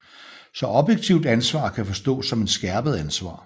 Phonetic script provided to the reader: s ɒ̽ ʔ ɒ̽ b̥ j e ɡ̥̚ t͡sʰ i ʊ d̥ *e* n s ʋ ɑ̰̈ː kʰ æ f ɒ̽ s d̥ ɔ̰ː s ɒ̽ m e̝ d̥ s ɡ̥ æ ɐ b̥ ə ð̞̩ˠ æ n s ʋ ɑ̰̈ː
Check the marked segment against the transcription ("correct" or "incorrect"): incorrect